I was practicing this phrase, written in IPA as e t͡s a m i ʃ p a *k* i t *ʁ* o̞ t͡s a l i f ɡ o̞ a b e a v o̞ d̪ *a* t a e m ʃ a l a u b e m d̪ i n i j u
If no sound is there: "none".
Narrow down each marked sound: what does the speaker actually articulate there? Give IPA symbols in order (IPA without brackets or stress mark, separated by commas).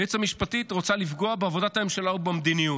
t, ʁ, a